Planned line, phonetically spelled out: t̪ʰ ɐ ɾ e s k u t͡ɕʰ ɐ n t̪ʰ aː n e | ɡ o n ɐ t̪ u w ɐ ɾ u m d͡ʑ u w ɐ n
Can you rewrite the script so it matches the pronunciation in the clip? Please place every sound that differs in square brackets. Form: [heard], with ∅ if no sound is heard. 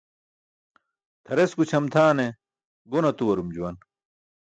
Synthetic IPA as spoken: t̪ʰ ɐ ɾ e s k u t͡ɕʰ ɐ [m] t̪ʰ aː n e | ɡ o n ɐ t̪ u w ɐ ɾ u m d͡ʑ u w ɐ n